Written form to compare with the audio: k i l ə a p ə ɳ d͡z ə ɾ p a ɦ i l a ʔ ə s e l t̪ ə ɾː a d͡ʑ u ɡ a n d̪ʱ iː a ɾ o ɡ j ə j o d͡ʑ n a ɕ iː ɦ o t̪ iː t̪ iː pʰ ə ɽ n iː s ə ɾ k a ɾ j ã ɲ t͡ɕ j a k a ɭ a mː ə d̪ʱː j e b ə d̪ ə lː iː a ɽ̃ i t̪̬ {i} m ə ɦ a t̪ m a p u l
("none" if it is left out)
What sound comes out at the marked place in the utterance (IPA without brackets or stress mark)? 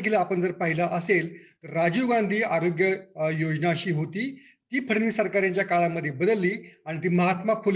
iː